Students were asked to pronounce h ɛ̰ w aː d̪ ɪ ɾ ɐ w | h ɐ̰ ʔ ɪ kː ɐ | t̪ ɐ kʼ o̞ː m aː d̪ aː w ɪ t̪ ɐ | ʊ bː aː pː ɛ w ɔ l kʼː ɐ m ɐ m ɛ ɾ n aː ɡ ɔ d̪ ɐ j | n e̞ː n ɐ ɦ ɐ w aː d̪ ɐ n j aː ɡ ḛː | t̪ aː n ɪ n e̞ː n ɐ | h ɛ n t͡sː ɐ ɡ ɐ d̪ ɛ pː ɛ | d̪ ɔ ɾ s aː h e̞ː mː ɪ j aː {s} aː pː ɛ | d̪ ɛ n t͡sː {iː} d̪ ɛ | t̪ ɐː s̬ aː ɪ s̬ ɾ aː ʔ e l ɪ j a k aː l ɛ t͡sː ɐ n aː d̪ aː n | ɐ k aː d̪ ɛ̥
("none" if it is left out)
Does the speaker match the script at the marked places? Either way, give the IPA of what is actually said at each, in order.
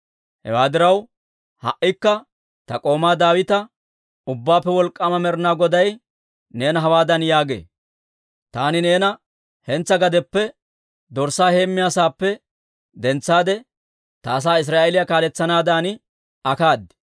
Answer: s, aː

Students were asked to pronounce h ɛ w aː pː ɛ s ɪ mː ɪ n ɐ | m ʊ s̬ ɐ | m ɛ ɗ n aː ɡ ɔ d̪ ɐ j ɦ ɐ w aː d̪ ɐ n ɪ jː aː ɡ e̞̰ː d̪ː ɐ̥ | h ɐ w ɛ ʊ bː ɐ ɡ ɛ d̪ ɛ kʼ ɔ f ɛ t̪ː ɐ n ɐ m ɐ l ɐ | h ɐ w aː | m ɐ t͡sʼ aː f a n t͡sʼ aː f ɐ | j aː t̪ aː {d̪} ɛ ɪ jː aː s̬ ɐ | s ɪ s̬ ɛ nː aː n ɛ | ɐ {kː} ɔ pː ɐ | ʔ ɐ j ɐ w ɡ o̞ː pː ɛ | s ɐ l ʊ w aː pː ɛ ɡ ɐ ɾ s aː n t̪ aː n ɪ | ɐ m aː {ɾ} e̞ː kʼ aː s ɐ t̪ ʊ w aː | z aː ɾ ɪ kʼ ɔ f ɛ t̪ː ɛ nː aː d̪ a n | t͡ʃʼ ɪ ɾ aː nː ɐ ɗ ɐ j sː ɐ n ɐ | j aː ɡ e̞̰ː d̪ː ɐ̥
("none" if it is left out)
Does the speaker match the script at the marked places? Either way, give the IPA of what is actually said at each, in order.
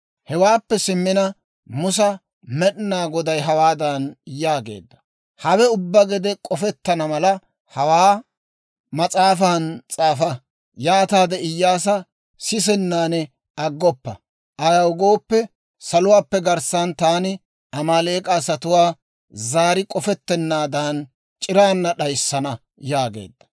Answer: d̪, ɡː, l

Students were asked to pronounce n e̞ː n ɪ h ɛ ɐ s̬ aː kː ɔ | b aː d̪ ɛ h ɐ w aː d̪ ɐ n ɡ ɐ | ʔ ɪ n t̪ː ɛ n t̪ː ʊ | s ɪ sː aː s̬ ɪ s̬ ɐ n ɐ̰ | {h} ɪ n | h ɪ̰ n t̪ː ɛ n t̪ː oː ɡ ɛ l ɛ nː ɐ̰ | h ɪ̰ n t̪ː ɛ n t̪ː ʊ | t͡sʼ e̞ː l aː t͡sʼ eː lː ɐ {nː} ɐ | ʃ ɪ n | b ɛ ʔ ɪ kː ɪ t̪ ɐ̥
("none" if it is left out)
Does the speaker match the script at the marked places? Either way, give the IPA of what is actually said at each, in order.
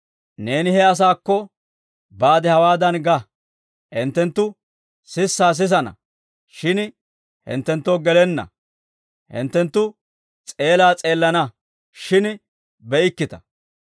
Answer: ʃ, n

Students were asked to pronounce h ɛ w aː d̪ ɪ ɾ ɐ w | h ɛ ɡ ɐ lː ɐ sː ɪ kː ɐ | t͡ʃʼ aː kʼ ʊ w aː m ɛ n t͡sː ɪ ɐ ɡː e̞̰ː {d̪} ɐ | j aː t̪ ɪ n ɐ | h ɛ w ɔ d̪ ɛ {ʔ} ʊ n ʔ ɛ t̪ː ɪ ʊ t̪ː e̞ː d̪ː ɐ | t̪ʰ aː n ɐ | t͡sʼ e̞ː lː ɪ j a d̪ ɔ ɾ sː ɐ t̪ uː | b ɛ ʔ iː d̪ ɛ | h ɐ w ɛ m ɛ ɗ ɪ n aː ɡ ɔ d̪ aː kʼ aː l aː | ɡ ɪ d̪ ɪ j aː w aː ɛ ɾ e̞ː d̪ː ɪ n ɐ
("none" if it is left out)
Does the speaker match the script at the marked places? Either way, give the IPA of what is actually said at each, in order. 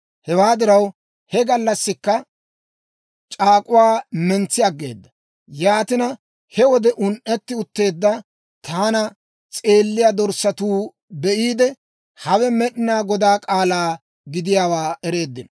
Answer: d̪ː, ʔ

